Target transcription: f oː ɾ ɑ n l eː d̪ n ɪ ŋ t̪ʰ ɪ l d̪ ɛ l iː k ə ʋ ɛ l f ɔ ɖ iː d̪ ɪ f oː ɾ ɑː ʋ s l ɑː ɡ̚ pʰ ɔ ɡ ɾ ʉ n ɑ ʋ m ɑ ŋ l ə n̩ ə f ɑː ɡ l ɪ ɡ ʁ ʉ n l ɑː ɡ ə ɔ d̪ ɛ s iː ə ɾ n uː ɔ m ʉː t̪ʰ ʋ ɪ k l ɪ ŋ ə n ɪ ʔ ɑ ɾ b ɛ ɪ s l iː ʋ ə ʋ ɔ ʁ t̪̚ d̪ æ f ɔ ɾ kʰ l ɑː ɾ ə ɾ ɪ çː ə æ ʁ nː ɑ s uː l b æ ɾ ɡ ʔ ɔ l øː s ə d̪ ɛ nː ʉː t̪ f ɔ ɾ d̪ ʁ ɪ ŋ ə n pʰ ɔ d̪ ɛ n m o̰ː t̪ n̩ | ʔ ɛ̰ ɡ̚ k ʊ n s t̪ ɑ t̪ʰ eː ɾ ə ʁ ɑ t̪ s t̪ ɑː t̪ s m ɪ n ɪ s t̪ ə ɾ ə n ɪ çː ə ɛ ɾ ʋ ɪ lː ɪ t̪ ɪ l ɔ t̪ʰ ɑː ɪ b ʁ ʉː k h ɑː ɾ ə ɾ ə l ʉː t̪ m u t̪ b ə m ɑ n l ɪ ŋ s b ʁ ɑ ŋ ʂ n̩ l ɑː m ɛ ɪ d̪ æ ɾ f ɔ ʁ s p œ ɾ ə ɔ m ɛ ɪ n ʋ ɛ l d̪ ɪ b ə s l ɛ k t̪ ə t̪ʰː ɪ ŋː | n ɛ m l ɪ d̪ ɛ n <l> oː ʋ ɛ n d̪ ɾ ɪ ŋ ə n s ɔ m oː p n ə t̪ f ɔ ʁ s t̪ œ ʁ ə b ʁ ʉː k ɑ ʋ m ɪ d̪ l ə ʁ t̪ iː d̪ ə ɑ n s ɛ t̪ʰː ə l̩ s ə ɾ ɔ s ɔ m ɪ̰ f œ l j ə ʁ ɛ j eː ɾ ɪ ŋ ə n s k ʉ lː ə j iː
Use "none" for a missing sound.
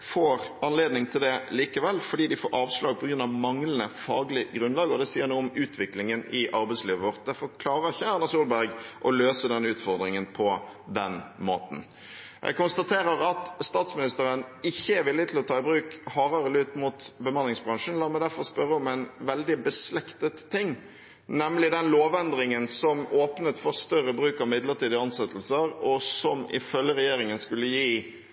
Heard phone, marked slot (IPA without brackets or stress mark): l